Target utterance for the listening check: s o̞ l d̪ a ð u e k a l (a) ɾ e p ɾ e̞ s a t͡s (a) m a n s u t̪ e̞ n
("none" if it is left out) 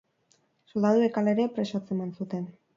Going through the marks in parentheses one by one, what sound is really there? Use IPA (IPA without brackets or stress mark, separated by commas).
e, e